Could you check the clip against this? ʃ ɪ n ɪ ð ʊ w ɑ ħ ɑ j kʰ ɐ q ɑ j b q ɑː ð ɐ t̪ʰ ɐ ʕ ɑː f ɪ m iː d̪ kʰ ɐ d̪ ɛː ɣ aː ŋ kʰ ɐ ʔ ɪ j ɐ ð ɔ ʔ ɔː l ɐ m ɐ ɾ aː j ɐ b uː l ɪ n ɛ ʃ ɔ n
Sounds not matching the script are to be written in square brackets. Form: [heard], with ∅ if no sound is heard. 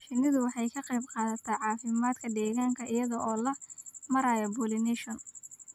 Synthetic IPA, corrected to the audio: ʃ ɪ n ɪ ð ʊ w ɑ ħ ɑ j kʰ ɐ q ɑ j b q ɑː ð ɐ t̪ʰ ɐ ʕ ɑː f ɪ m [aː] d̪ kʰ ɐ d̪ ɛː ɣ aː ŋ kʰ ɐ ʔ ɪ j ɐ ð ɔ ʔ ɔː l ɐ m ɐ ɾ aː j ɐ b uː l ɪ n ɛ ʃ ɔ n